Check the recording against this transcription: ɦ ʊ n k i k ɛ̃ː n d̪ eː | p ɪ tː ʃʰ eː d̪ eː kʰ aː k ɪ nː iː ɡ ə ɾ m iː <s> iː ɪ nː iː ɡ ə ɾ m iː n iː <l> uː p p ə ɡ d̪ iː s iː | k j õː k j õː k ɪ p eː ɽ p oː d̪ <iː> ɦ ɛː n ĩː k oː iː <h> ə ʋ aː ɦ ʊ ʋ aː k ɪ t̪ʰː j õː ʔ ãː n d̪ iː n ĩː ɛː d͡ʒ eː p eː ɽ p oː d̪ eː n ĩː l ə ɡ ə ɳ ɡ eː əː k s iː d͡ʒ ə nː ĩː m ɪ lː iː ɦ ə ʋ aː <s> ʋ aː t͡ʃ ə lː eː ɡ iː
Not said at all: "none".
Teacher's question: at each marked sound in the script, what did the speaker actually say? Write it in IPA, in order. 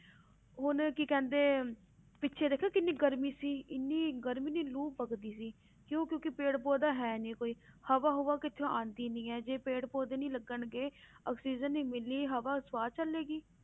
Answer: s, l, aː, h, s

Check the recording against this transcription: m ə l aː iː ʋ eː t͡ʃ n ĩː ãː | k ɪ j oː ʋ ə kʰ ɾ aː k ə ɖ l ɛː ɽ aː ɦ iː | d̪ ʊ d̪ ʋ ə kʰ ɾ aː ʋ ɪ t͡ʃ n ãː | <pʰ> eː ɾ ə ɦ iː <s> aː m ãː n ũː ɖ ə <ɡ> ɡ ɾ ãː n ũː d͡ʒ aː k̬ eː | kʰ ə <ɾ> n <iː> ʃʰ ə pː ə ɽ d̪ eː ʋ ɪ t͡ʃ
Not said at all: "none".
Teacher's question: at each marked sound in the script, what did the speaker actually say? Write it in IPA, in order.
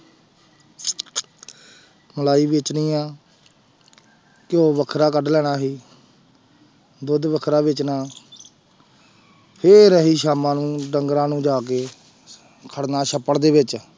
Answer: pʰ, ʃ, ŋ, ɽ, aː

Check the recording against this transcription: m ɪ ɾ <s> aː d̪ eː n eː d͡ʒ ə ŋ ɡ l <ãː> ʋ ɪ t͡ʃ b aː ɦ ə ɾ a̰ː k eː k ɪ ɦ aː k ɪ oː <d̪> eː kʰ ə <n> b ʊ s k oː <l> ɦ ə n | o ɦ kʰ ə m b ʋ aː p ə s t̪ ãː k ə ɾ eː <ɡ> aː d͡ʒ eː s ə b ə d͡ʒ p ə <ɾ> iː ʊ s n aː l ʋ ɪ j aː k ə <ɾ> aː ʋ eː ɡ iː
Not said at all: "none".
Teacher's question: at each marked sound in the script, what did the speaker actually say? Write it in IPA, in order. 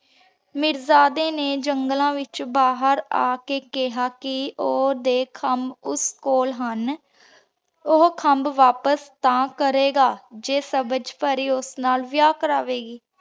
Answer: z, ãː, d̪, m, l, ɡ, ɾ, ɾ

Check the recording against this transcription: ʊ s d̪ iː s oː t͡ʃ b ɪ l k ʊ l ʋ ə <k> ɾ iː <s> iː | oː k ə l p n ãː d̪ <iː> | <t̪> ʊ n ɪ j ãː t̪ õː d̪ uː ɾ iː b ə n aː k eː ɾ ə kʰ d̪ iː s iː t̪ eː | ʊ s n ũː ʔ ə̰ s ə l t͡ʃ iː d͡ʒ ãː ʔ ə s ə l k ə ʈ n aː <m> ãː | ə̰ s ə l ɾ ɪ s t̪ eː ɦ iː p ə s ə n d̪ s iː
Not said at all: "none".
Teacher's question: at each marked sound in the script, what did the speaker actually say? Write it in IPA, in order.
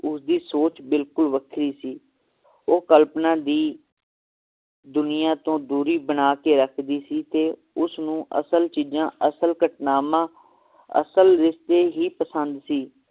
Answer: kʰ, s, iː, d̪, m

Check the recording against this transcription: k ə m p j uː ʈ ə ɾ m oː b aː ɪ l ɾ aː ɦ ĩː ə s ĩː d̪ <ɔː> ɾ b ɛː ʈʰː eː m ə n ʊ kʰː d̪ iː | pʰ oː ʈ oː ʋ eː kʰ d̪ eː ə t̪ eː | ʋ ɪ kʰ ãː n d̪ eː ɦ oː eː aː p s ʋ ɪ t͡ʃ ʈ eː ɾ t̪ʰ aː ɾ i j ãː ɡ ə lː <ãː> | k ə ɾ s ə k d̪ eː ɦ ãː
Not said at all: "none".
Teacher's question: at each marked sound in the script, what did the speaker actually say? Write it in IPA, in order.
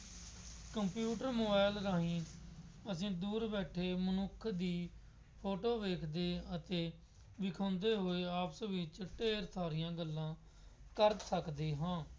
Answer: uː, ãː

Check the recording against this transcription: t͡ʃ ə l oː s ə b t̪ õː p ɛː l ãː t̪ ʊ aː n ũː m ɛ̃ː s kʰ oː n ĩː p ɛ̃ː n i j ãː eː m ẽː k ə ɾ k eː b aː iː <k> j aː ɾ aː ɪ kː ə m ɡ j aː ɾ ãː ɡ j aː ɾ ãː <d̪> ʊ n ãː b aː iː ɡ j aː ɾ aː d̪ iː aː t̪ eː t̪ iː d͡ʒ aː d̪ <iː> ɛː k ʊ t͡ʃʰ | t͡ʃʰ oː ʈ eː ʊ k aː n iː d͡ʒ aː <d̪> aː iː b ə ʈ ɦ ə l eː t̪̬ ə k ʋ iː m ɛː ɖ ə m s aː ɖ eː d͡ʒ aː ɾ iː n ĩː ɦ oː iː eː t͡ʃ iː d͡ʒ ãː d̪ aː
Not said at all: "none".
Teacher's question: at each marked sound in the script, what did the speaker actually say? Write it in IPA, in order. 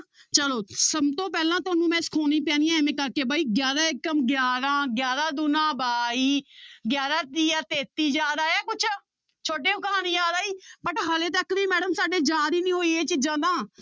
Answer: ɡ, d̪, aː, d̪

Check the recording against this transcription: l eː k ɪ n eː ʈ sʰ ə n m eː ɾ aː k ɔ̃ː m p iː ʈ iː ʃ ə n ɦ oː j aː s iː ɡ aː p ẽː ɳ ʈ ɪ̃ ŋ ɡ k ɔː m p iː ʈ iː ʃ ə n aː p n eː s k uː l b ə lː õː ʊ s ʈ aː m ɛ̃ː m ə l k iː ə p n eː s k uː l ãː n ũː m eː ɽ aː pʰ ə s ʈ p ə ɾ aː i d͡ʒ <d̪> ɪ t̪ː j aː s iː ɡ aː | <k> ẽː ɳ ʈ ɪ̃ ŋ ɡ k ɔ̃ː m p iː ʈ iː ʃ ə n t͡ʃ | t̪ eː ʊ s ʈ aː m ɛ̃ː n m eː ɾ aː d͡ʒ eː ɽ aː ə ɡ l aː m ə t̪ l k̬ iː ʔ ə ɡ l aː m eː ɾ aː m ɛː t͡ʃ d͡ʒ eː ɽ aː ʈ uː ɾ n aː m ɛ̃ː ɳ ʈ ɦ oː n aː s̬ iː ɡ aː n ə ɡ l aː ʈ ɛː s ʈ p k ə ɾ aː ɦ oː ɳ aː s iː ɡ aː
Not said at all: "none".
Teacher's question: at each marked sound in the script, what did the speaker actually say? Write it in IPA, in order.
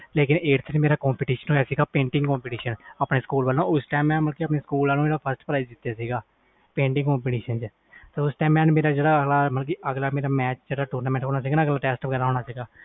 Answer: d̪, p

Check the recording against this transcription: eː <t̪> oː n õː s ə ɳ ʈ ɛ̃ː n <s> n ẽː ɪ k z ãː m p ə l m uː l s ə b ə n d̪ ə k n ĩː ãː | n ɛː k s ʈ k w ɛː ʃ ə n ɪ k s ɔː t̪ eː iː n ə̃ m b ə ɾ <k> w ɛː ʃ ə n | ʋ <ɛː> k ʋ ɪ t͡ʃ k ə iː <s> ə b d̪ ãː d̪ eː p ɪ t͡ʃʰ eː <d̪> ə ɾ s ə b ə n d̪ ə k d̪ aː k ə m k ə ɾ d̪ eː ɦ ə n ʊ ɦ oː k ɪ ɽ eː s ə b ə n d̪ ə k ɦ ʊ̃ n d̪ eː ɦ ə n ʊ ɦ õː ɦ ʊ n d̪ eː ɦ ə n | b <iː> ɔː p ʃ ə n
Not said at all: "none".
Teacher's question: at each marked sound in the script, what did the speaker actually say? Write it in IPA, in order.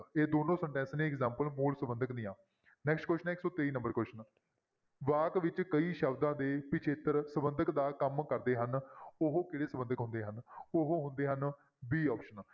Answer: d̪, s, k, aː, ʃ, t̪, iː

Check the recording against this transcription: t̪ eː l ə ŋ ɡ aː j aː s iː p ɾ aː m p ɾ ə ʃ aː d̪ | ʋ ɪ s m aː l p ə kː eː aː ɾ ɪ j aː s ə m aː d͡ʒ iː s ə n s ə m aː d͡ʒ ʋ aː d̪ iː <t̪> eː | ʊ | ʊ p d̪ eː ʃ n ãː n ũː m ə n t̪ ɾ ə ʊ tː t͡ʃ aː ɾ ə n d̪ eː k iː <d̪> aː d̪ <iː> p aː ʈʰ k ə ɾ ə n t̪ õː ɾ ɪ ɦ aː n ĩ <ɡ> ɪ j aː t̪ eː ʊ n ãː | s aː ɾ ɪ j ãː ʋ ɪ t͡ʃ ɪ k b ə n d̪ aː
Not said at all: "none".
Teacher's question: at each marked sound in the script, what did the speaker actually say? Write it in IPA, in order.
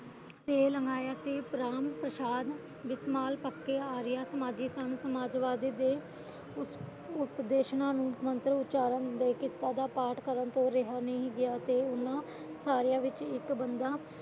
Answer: d̪, t̪, aː, ɡ

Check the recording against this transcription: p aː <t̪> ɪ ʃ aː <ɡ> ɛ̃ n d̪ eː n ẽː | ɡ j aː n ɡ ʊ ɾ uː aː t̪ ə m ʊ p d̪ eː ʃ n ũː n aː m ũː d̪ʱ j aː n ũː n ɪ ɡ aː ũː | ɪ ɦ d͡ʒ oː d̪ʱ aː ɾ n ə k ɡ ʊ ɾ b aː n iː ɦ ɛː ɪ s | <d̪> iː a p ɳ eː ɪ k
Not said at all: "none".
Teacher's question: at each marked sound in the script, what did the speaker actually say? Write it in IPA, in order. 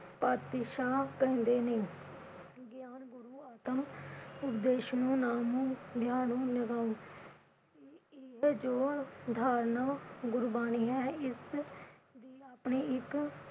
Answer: t̪, k, d̪

